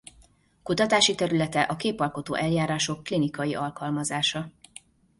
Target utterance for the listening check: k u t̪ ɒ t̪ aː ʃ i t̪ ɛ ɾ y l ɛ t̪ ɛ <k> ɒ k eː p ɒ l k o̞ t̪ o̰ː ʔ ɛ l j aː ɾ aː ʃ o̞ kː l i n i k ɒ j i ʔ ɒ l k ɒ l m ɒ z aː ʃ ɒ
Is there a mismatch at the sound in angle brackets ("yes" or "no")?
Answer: yes